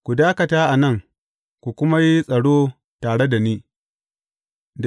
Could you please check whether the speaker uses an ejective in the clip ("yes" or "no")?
yes